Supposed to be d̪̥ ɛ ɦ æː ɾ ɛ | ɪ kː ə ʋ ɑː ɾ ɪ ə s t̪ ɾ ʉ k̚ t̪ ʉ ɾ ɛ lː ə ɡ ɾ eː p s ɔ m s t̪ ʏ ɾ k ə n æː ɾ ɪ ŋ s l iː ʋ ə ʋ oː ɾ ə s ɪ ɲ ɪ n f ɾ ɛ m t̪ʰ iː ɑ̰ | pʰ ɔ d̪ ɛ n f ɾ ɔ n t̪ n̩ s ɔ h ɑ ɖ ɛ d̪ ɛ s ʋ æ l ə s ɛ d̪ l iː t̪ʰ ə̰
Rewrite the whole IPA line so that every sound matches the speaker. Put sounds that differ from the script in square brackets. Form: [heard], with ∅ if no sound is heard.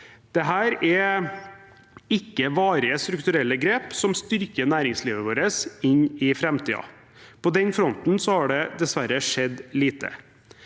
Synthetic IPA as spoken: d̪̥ ɛ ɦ æː ɾ ɛ | ɪ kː ə ʋ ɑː ɾ ɪ ə s t̪ ɾ ʉ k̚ t̪ ʉ ɾ ɛ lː ə ɡ ɾ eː p s ɔ m s t̪ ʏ ɾ k ə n æː ɾ ɪ ŋ s l iː ʋ ə ʋ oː ɾ ə s ɪ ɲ ɪ [∅] f ɾ ɛ m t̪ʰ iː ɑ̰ | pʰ ɔ d̪ ɛ n f ɾ ɔ n t̪ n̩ s ɔ h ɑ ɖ ɛ d̪ ɛ s ʋ æ [ɾ] ə [ʂ] ɛ d̪ l iː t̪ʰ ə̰

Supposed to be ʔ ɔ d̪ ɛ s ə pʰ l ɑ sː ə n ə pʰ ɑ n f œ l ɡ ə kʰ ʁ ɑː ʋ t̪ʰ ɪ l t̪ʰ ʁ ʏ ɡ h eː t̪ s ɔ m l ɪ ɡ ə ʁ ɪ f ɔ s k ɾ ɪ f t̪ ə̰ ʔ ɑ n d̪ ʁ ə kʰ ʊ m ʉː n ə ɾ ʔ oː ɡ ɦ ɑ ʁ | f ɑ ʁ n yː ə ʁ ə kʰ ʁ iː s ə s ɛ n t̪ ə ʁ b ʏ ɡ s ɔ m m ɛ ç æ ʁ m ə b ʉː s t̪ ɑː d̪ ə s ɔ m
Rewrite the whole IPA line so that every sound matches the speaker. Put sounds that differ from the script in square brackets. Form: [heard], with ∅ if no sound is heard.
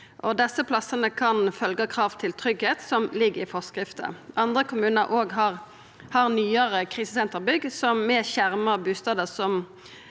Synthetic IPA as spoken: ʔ ɔ d̪ ɛ s ə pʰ l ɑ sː ə n ə [kʰ] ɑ n f œ l ɡ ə kʰ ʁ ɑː ʋ t̪ʰ ɪ l t̪ʰ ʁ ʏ ɡ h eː t̪ s ɔ m l ɪ ɡ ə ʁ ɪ f ɔ s k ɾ ɪ f t̪ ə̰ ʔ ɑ n d̪ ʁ ə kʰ ʊ m ʉː n ə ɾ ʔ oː ɡ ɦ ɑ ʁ | [h] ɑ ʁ n yː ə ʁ ə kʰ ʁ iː s ə s ɛ n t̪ ə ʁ b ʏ ɡ s ɔ m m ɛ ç æ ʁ m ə b ʉː s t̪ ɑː d̪ ə s ɔ m

